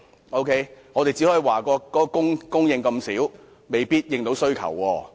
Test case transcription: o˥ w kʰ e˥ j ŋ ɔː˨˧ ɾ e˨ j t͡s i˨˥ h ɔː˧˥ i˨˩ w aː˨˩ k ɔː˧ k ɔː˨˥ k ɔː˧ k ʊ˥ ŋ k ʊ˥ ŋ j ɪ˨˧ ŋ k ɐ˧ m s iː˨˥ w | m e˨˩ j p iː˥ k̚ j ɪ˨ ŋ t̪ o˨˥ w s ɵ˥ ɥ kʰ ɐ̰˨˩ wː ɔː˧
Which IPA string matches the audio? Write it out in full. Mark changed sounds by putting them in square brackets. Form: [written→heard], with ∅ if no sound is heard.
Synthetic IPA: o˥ w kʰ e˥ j ŋ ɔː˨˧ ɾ e˨ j t͡s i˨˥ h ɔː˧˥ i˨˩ w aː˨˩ k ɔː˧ k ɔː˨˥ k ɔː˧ k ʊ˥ ŋ k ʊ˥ ŋ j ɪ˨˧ ŋ k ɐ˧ m s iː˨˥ w | m e˨˩ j p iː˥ [k̚→t̚] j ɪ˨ ŋ t̪ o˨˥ w s ɵ˥ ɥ kʰ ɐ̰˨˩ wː ɔː˧